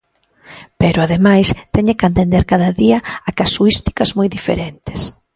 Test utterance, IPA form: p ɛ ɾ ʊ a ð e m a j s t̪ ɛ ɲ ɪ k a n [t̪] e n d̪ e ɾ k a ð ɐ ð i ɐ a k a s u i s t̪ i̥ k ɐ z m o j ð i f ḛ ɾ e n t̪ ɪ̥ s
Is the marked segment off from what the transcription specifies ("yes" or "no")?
no